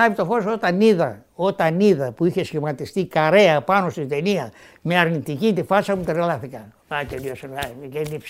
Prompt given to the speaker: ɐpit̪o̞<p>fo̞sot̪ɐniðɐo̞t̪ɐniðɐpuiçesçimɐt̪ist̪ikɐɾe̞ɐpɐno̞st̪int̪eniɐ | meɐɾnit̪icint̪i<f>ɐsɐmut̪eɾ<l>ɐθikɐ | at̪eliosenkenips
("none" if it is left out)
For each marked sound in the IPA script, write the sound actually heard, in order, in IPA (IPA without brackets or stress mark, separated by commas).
none, f, l